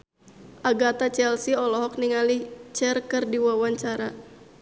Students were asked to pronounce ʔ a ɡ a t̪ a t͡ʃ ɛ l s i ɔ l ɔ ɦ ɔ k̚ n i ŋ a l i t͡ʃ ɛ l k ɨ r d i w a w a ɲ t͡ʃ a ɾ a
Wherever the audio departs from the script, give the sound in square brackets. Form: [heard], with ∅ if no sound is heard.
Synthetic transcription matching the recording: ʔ a ɡ a t̪ a t͡ʃ ɛ l s i ɔ l ɔ ɦ ɔ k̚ n i ŋ a l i t͡ʃ ɛ [r] k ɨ r d i w a w a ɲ t͡ʃ a ɾ a

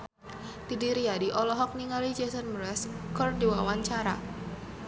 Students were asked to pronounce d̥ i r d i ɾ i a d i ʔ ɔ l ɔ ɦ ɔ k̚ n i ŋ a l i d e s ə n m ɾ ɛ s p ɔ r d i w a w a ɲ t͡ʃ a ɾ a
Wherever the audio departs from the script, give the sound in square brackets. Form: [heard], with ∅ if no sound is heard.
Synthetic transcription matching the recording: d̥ i [∅] d i ɾ i a d i ʔ ɔ l ɔ ɦ ɔ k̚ n i ŋ a l i [d͡ʒ] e s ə n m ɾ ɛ s [k] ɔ r d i w a w a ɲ t͡ʃ a ɾ a

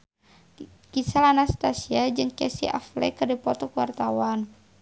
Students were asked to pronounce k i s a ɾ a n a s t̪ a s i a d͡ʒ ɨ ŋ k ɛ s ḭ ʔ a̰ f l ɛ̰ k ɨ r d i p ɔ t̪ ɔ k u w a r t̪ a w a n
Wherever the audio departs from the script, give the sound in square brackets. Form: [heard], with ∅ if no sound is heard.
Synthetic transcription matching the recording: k i s a [l] a n a s t̪ a s i a d͡ʒ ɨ ŋ k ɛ s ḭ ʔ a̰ f l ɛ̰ k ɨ r d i p ɔ t̪ ɔ k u w a r t̪ a w a n

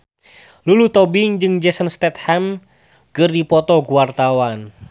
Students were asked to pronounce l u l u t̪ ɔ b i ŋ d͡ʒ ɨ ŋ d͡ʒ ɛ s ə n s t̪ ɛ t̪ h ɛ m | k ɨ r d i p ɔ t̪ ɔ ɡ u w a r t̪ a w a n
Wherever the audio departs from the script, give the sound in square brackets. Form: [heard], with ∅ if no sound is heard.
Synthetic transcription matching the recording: l u l u t̪ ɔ b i ŋ d͡ʒ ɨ ŋ d͡ʒ ɛ s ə n s t̪ ɛ t̪ h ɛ m | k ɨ r d i p ɔ t̪ ɔ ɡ u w a r t̪ a w a n

